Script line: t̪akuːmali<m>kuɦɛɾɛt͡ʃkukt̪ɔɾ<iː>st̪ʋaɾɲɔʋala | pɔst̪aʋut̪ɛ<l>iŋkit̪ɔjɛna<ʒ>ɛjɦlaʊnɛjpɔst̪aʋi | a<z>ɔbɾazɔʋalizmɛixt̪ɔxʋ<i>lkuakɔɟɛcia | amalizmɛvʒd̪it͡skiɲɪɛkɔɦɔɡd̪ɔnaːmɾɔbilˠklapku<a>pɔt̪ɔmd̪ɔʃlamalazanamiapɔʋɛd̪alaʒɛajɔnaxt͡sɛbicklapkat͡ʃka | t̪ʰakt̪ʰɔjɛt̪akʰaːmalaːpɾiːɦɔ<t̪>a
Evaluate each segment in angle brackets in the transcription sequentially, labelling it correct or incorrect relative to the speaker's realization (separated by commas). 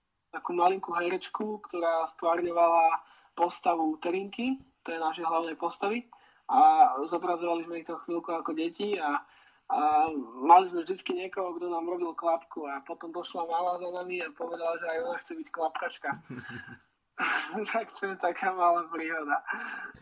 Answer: incorrect, incorrect, incorrect, incorrect, correct, correct, correct, incorrect